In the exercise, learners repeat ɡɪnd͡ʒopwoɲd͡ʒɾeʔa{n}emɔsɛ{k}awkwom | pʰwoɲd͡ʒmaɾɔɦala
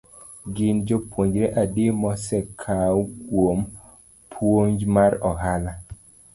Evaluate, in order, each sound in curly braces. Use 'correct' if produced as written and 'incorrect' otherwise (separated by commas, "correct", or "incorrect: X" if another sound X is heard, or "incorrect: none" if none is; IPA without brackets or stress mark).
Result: incorrect: d, incorrect: kʰ